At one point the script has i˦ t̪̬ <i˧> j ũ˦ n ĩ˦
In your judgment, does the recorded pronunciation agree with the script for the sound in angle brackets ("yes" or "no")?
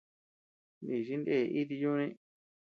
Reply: yes